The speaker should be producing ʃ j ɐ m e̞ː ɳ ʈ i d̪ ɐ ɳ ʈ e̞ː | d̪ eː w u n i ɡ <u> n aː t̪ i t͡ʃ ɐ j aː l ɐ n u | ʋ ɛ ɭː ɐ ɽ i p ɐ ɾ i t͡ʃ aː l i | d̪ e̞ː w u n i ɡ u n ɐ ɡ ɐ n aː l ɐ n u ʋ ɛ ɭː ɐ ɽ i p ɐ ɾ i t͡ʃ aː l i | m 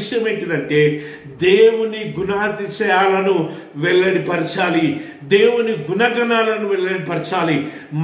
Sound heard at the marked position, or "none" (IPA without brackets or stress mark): u